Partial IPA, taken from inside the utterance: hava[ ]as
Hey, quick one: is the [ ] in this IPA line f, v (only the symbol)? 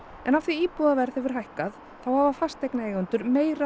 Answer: f